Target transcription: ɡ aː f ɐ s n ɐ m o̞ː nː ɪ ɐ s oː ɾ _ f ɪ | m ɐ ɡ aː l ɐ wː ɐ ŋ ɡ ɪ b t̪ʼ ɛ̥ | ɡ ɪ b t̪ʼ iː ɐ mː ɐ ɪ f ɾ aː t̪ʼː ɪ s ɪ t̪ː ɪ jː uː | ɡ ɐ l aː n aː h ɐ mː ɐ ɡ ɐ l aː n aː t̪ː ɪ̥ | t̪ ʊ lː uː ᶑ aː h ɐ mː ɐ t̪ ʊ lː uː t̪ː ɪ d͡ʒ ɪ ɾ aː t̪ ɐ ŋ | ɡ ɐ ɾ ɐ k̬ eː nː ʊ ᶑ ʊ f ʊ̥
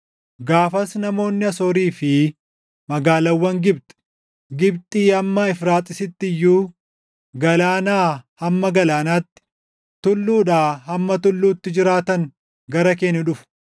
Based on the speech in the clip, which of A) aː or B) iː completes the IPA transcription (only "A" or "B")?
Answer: B